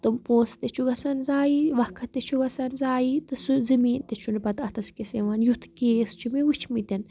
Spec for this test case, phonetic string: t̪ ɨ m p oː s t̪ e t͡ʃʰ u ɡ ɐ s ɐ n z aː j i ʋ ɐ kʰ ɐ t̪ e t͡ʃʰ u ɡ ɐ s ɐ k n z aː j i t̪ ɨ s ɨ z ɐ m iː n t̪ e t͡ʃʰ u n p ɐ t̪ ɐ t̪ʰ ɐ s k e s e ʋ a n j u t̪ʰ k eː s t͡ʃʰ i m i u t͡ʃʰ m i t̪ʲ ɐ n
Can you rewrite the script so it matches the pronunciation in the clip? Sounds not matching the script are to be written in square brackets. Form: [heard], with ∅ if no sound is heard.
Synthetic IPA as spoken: t̪ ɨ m p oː s t̪ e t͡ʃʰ u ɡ ɐ s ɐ n z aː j i ʋ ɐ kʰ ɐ t̪ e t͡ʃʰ u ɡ ɐ s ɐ [∅] n z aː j i t̪ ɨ s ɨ z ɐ m iː n t̪ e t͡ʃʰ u n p ɐ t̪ ɐ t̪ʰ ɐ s k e s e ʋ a n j u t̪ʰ k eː s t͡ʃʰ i m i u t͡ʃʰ m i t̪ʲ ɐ n